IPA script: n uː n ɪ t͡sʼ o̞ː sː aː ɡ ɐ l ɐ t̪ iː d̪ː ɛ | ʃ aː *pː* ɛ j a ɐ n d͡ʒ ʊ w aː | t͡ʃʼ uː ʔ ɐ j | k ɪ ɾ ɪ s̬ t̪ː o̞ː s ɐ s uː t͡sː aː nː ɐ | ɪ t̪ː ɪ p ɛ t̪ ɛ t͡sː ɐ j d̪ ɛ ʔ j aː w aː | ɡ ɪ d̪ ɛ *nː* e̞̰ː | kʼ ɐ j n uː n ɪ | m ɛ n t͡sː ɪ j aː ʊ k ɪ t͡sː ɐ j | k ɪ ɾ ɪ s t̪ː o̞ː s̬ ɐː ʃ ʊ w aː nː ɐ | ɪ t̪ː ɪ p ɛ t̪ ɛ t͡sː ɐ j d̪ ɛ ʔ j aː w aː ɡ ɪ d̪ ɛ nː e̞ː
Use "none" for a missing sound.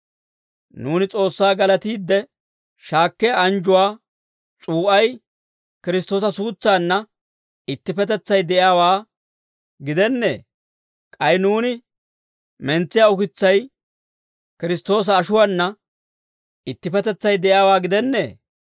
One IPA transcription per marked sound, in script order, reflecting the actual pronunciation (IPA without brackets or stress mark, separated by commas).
kː, nː